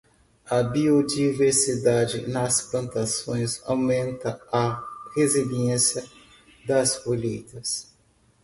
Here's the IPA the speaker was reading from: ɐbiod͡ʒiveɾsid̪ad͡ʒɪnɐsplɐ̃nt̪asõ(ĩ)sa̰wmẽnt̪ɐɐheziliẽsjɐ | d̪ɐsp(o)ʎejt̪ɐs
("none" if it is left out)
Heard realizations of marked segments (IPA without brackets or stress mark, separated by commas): j̃, o